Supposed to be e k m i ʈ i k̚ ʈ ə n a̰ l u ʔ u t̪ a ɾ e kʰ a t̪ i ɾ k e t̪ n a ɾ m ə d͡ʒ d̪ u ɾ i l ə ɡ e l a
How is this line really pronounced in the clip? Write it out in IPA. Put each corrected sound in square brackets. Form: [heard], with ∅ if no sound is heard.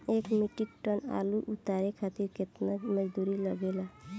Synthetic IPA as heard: e k m i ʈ i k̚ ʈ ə n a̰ l u ʔ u t̪ a ɾ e kʰ a t̪ i ɾ k e t̪ n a [∅] m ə d͡ʒ d̪ u ɾ i l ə ɡ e l a